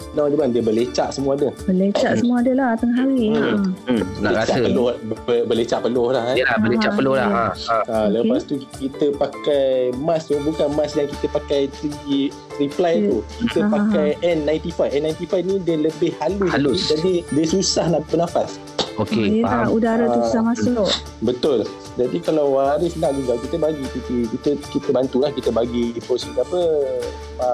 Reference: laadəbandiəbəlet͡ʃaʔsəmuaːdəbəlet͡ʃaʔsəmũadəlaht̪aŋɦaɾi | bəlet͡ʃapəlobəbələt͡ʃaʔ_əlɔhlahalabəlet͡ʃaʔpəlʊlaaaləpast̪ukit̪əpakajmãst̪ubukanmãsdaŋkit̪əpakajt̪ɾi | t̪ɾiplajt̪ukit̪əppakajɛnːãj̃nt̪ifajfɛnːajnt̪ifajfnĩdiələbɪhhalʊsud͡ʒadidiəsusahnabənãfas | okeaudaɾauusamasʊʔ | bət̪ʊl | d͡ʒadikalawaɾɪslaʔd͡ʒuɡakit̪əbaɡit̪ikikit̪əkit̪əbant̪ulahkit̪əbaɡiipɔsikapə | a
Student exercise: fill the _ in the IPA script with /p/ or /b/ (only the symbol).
p